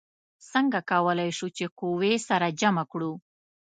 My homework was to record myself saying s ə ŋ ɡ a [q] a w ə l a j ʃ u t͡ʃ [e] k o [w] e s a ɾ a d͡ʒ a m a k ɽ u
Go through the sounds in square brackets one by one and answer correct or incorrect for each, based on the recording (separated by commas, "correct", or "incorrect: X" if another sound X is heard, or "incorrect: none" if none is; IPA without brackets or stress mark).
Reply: incorrect: k, correct, correct